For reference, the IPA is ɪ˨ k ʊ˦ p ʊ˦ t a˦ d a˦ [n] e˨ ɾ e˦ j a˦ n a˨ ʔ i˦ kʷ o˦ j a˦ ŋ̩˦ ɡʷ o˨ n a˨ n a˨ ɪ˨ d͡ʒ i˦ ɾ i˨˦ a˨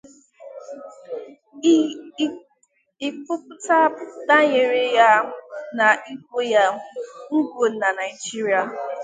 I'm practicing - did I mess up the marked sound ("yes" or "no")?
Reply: yes